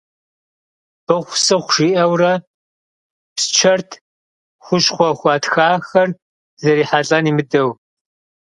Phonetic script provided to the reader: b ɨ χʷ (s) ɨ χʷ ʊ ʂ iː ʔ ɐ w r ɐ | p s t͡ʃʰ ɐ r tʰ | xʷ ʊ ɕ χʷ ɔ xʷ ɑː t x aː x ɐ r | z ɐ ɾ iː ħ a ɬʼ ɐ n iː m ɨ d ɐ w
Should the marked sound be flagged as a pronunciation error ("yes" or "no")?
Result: no